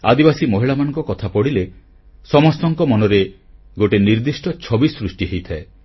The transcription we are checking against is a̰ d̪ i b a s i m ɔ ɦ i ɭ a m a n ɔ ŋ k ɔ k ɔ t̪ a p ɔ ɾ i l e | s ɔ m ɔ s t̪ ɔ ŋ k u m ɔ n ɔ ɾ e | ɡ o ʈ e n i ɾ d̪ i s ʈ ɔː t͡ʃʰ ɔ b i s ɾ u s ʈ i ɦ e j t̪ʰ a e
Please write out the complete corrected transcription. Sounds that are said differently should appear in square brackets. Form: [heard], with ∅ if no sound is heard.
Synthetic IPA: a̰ d̪ i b a s i m ɔ ɦ i ɭ a m a n ɔ ŋ k ɔ k ɔ [t̪ʰ] a p ɔ [ɽ] i l e | s ɔ m ɔ s t̪ ɔ ŋ k [ɔ] m ɔ n ɔ ɾ e | ɡ o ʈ e n i ɾ d̪ i s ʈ [ɔ] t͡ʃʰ ɔ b i s ɾ u s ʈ i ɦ e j t̪ʰ a e